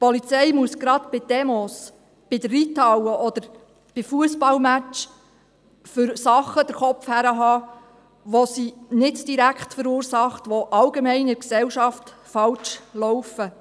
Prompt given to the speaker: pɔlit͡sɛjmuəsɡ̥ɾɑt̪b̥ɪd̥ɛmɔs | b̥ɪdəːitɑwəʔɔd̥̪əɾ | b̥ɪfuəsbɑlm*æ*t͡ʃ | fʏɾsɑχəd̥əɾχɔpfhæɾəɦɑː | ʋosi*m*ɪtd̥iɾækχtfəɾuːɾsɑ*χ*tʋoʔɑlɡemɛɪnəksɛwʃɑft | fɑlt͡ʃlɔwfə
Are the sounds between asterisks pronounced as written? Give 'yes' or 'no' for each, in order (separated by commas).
yes, no, yes